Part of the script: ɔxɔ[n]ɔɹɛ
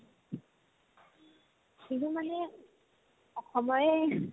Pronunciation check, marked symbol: incorrect: m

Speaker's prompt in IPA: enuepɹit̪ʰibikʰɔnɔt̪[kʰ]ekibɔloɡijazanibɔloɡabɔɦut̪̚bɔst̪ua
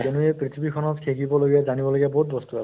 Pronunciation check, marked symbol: correct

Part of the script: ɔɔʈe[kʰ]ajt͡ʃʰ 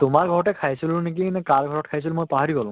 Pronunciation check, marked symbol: correct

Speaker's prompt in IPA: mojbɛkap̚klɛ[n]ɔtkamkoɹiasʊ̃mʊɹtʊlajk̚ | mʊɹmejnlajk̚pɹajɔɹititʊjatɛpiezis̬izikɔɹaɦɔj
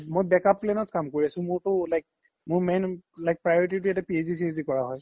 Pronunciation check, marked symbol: correct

